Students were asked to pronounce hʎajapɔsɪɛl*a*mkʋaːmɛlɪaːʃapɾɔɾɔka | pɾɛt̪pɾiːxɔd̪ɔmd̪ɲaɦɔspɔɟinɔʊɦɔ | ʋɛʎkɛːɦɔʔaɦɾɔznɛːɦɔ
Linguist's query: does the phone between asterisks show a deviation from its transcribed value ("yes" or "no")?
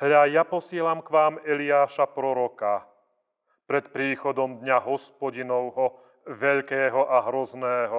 no